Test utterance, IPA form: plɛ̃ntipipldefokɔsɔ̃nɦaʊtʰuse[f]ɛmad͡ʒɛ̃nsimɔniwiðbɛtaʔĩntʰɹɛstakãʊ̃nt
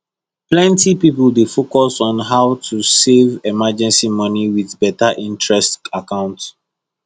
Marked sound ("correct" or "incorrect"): incorrect